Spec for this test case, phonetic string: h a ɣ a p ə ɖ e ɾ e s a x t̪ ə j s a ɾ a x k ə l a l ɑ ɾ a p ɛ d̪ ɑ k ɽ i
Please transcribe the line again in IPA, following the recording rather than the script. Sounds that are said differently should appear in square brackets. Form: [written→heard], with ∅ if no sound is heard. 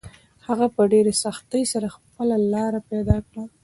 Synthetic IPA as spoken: h a ɣ a p ə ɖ e ɾ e s a x t̪ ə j s a ɾ a x [k→p] ə l a l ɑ ɾ a p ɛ d̪ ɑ k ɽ [i→a]